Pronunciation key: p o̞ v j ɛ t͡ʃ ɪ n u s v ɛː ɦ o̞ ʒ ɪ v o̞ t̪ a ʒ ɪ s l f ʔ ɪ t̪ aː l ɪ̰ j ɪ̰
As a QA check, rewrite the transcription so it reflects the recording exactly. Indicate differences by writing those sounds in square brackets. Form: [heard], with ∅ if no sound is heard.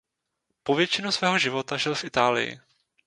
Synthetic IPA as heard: p o̞ v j ɛ t͡ʃ ɪ n u s v ɛː ɦ o̞ ʒ ɪ v o̞ t̪ a ʒ ɪ [∅] l f ʔ ɪ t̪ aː l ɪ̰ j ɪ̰